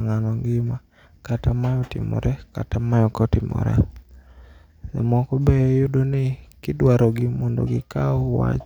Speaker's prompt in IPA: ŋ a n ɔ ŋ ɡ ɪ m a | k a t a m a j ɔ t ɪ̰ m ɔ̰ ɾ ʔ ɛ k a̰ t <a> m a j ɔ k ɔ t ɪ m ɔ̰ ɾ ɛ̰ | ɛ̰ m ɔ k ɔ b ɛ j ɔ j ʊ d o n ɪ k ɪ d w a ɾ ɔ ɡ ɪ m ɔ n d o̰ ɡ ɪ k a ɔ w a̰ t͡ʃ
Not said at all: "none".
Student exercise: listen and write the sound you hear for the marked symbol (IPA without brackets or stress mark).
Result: a